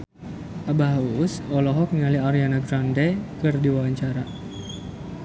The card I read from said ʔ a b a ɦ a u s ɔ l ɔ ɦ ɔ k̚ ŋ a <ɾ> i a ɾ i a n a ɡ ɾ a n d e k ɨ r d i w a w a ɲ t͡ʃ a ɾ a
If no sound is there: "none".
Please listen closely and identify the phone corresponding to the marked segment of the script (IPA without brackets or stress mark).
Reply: l